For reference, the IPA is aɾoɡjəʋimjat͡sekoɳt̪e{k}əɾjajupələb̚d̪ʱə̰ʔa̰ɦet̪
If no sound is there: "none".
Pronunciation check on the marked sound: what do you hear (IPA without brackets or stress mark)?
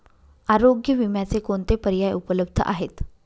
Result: p